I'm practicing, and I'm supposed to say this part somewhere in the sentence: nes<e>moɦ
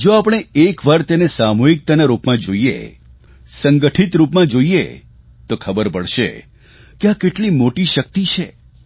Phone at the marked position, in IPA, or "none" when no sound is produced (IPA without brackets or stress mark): a